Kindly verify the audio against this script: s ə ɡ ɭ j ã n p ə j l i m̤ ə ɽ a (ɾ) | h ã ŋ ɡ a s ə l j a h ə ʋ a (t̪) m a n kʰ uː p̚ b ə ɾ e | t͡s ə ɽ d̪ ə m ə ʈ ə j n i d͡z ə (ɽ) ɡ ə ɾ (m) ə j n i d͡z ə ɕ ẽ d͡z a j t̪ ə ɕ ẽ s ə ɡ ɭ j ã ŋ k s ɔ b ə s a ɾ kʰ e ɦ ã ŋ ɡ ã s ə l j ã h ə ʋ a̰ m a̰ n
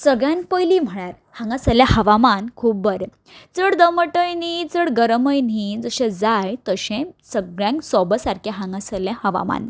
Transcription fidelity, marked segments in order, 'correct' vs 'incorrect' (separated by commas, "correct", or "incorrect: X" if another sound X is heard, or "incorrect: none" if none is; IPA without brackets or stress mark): correct, incorrect: none, correct, correct